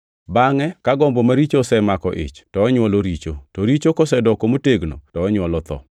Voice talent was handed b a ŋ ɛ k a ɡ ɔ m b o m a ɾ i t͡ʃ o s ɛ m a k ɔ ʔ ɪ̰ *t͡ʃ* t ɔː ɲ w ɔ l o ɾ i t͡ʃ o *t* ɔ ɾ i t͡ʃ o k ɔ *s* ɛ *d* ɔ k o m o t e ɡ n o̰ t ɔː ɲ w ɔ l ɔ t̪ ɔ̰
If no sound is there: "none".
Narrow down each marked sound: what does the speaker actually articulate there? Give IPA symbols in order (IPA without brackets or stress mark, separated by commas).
t͡ʃ, t, s, d